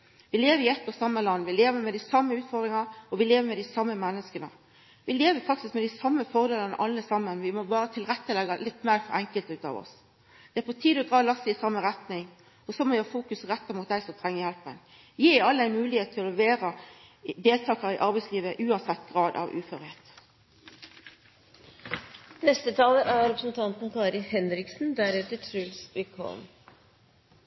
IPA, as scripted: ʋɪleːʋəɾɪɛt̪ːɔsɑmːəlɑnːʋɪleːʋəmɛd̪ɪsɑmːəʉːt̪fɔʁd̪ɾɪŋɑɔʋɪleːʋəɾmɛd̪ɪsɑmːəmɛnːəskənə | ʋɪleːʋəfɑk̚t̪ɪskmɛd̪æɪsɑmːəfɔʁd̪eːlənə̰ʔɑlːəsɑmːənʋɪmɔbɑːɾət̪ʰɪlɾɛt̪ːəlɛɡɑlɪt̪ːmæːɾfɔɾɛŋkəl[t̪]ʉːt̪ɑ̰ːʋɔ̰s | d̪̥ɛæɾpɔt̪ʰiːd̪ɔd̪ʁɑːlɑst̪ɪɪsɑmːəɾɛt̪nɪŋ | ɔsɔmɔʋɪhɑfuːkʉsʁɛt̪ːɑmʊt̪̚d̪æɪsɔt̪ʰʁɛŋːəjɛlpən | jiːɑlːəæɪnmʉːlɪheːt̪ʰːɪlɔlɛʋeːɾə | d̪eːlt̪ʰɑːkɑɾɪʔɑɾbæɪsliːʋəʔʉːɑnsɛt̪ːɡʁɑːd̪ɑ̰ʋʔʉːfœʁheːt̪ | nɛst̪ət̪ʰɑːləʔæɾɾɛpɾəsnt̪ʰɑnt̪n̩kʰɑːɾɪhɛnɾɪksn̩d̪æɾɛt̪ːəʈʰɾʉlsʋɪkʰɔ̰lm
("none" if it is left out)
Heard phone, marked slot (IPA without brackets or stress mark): t̪